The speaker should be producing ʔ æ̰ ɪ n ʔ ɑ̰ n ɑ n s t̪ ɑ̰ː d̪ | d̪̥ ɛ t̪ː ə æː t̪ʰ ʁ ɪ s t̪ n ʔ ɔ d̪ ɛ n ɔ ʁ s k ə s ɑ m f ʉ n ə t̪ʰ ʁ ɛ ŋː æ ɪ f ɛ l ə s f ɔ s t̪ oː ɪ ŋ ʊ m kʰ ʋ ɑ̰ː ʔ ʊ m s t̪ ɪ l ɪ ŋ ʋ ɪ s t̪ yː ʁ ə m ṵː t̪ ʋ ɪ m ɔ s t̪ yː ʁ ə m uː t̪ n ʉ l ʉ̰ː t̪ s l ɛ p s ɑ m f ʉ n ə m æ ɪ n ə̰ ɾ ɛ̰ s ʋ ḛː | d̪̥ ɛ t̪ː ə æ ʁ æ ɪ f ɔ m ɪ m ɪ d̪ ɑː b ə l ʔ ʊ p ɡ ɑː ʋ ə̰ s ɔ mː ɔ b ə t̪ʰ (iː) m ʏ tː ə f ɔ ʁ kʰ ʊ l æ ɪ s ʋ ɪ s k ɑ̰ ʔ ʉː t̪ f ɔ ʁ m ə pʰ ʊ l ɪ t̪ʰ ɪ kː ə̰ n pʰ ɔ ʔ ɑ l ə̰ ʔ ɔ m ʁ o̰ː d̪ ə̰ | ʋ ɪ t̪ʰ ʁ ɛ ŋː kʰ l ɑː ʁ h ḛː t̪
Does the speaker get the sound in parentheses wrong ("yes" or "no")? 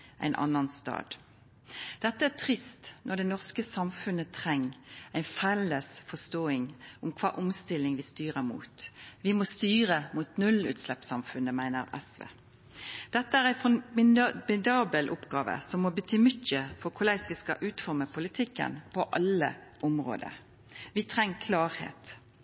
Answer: yes